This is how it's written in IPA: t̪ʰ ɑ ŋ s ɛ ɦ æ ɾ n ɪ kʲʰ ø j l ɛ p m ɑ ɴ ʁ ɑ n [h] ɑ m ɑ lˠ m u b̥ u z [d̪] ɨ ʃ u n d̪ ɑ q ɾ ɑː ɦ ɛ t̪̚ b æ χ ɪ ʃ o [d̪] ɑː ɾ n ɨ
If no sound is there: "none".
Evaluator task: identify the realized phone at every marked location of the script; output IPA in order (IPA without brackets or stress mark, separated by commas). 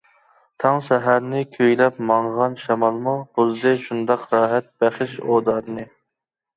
ʃ, d̪, d̪